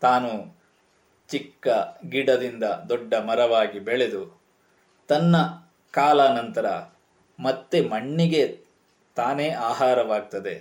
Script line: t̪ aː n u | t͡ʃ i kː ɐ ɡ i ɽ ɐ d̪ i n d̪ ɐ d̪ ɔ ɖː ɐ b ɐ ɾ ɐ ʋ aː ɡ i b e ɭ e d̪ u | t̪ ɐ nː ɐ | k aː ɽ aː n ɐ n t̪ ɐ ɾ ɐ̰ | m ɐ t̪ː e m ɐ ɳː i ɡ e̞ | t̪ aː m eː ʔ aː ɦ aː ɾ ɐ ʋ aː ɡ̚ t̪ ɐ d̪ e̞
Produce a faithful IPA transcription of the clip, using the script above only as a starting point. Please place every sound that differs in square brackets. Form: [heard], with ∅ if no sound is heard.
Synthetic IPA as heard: t̪ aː n u | t͡ʃ i kː ɐ ɡ i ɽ ɐ d̪ i n d̪ ɐ d̪ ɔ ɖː ɐ [m] ɐ ɾ ɐ ʋ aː ɡ i b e ɭ e d̪ u | t̪ ɐ nː ɐ | k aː [l] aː n ɐ n t̪ ɐ ɾ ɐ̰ | m ɐ t̪ː e m ɐ ɳː i ɡ e̞ | t̪ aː [n] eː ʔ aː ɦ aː ɾ ɐ ʋ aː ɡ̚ t̪ ɐ d̪ e̞